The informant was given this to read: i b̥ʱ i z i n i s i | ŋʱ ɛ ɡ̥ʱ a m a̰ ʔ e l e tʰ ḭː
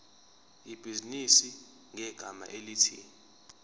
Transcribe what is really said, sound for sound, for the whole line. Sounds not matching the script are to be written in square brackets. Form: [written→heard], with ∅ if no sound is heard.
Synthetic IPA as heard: i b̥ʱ i z i n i s i | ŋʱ ɛ ɡ̥ʱ a m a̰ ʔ e l [e→i] tʰ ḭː